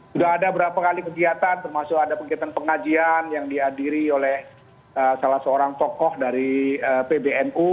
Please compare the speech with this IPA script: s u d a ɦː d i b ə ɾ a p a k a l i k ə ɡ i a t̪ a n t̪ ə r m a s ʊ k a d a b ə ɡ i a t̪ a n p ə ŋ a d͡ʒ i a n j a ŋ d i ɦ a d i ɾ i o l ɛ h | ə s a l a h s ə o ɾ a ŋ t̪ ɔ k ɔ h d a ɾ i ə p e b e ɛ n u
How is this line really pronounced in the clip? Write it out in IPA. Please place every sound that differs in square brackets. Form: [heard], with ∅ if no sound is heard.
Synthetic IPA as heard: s u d a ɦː d [a] b ə ɾ a p a k a l i k ə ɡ i a t̪ a n t̪ ə r m a s ʊ k a d a [p] ə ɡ i a t̪ a n p ə ŋ a d͡ʒ i a n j a ŋ d i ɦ a d i ɾ i o l ɛ h | ə s a l a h s ə o ɾ a ŋ t̪ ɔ k ɔ h d a ɾ i ə p e b e ɛ n u